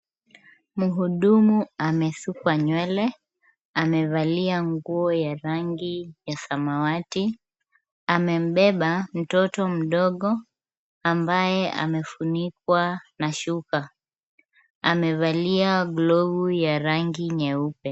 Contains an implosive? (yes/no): yes